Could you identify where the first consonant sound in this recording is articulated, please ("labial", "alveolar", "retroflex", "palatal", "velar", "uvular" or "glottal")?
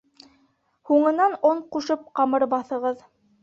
glottal